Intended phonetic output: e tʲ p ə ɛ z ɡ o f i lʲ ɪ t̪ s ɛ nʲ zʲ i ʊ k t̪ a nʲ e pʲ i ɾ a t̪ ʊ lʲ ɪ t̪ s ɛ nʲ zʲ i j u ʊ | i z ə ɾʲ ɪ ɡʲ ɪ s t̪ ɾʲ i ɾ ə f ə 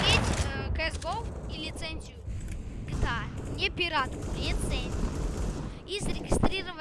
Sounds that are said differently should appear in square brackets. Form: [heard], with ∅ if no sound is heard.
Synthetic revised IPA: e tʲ [k] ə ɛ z ɡ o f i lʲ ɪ t̪ s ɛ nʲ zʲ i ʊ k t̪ a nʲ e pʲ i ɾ a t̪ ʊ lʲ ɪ t̪ s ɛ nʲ zʲ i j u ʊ | i z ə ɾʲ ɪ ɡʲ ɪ s t̪ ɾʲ i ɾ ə [v] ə